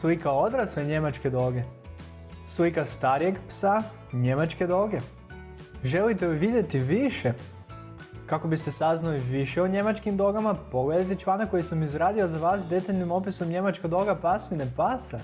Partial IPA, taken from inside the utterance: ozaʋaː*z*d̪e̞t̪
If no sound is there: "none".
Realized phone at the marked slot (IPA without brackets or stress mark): s